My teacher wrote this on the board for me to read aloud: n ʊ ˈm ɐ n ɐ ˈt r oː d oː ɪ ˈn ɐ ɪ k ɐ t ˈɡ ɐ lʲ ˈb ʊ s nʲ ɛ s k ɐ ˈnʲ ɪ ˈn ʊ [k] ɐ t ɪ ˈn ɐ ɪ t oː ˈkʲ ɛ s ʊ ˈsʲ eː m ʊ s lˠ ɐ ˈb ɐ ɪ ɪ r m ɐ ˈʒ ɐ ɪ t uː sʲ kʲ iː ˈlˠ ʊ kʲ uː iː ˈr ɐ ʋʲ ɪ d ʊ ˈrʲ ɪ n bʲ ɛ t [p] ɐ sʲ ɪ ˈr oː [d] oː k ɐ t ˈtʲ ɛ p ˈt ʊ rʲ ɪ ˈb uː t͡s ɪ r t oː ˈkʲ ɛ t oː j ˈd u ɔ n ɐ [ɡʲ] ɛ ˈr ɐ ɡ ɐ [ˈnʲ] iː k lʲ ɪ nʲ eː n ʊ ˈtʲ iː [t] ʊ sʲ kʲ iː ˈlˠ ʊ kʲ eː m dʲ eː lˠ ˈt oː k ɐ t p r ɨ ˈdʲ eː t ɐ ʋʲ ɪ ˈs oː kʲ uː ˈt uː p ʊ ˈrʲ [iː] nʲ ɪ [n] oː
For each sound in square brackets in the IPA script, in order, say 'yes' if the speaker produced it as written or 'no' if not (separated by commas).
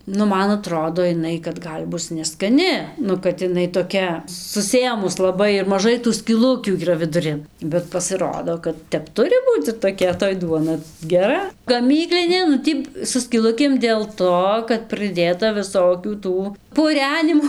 yes, yes, yes, yes, no, no, no, no